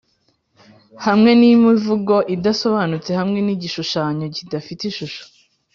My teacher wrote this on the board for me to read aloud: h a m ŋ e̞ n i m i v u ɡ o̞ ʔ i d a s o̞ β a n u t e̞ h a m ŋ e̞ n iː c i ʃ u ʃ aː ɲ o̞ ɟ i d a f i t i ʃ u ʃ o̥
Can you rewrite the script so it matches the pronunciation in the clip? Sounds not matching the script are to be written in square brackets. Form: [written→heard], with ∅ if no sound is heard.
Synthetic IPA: h a m ŋ e̞ n i m i v u ɡ o̞ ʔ i d a s o̞ β a n u [t→t͡s] e̞ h a m ŋ e̞ n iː [c→ɟ] i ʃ u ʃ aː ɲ o̞ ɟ i d a f i t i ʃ u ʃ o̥

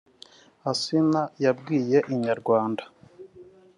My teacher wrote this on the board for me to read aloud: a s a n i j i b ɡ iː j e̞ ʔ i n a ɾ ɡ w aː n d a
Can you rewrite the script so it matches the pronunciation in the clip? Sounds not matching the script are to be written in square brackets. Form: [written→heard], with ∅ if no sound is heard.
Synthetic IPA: a s [a→i] n [i→a] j [i→a] b ɡ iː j e̞ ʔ i [n→ɲ] a ɾ ɡ w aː n d a

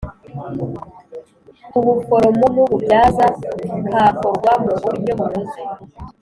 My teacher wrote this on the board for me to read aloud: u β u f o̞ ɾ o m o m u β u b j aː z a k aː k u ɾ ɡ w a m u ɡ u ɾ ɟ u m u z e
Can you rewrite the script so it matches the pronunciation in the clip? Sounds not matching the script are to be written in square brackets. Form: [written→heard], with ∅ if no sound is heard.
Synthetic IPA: u β u f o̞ ɾ o m o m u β u b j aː z a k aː k [u→o] ɾ ɡ w a m u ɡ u ɾ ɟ [u→o] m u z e

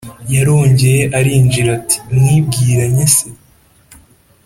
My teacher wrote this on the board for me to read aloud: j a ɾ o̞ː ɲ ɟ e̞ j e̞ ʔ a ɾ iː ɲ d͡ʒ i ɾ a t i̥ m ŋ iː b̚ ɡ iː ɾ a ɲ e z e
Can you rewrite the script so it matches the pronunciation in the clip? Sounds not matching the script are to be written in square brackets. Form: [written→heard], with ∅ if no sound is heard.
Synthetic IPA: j a ɾ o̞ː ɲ ɟ e̞ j e̞ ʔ a ɾ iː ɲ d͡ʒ i ɾ a t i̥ m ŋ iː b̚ ɡ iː ɾ a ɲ e [z→s] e

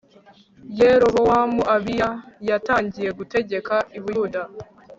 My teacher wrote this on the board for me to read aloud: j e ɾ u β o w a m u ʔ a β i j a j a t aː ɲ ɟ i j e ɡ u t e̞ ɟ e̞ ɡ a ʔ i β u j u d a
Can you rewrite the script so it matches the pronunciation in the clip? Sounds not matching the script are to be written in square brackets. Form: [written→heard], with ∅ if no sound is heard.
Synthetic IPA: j e ɾ [u→o] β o w a m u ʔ a β i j a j a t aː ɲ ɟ i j e ɡ u t e̞ ɟ e̞ [ɡ→k] a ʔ i β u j u d a

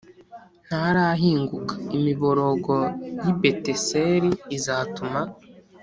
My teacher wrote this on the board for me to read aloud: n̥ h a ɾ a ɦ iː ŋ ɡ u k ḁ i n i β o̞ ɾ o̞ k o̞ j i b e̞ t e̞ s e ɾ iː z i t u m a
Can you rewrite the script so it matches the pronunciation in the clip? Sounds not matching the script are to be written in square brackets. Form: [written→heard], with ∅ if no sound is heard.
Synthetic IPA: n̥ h a ɾ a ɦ iː ŋ ɡ u k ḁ i [n→m] i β o̞ ɾ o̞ [k→ɡ] o̞ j i b e̞ t e̞ s e ɾ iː z [i→a] t u m a

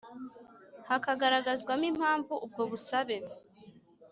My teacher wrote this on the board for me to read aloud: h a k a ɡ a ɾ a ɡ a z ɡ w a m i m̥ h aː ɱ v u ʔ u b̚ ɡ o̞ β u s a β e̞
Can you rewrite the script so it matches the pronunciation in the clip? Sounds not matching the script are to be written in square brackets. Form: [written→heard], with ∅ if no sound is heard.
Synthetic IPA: h a k a ɡ a ɾ a ɡ a z ɡ w a m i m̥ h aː ɱ v u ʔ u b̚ ɡ o̞ β u s a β e̞

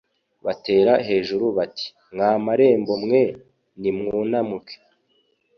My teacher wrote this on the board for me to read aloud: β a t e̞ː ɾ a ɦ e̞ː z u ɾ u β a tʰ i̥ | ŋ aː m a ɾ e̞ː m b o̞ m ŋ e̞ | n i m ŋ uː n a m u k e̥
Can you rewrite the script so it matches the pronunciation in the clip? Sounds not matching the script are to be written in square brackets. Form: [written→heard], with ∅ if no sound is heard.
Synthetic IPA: β a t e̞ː ɾ a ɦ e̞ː [z→ʒ] u ɾ u β a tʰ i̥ | ŋ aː m a ɾ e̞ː m b o̞ m ŋ e̞ | n i m ŋ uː n a m u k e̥

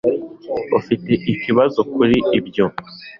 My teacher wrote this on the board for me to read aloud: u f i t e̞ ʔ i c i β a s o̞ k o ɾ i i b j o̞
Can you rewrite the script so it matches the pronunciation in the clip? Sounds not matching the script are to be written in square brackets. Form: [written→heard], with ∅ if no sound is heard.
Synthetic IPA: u f i t e̞ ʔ i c i β a [s→z] o̞ k [o→u] ɾ i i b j o̞

